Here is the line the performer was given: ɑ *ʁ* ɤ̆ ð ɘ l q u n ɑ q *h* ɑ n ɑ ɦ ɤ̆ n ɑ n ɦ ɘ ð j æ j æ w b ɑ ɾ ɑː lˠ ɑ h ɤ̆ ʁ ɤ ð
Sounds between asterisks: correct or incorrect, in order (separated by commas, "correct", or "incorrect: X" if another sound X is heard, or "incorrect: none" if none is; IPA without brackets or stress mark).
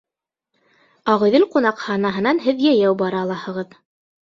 correct, correct